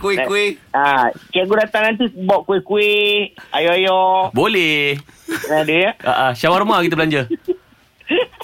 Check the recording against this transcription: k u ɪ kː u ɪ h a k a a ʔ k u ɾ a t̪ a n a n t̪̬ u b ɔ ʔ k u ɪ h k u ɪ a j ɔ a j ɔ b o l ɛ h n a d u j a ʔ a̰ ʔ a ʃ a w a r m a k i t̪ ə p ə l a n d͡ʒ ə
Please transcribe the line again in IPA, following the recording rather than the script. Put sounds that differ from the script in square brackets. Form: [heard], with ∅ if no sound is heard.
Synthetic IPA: k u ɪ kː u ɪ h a k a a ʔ [ɡ] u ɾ a t̪ a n a n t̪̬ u b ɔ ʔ k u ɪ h k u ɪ a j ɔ a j ɔ b o l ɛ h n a d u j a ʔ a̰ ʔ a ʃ a w a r m a k i t̪ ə [b] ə l a [ɲ] d͡ʒ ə